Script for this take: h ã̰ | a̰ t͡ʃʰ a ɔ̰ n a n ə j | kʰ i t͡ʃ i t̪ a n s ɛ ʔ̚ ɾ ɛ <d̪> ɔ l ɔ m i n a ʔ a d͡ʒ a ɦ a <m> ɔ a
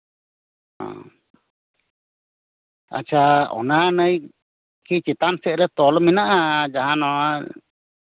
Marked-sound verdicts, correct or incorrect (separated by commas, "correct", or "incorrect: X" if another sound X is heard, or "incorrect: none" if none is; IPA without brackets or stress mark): incorrect: t̪, incorrect: n